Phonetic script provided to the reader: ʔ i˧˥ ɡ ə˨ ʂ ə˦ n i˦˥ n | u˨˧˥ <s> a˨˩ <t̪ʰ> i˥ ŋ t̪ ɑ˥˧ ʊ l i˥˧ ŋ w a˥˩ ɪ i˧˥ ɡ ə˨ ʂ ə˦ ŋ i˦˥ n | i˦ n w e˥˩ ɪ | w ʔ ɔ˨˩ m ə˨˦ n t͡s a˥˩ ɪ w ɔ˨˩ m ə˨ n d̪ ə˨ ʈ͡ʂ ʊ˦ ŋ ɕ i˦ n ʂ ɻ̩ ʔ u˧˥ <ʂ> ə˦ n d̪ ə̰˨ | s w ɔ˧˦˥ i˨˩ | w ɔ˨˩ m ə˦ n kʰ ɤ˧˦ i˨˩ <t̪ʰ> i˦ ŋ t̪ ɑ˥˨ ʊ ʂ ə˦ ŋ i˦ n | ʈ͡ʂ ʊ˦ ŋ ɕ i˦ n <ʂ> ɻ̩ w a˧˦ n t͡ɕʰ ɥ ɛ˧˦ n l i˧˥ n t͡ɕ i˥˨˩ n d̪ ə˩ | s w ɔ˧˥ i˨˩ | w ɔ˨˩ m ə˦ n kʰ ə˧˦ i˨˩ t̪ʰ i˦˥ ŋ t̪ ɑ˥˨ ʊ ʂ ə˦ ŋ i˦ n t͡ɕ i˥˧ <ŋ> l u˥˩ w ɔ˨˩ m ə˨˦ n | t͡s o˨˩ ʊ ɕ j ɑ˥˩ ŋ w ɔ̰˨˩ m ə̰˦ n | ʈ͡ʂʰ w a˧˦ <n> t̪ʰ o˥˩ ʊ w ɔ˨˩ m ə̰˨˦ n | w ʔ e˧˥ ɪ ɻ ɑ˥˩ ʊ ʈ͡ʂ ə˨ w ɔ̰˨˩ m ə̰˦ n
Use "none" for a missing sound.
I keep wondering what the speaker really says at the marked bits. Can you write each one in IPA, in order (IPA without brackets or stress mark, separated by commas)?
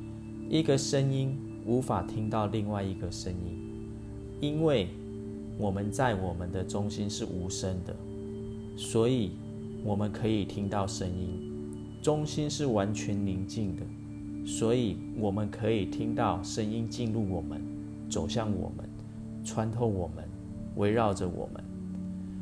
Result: f, t̪ʰ, ʂ, t̪ʰ, ʂ, n, n